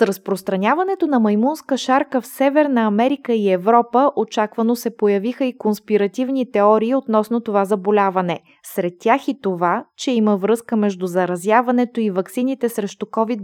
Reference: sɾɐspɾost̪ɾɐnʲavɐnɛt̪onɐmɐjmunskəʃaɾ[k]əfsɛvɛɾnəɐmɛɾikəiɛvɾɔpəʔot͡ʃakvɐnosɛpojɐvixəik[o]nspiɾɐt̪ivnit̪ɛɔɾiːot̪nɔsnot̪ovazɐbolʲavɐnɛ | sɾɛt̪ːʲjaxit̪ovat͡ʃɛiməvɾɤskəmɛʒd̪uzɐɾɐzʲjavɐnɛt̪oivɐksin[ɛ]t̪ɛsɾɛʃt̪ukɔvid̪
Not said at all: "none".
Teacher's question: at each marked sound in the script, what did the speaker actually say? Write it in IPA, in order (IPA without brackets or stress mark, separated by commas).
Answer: k, o, i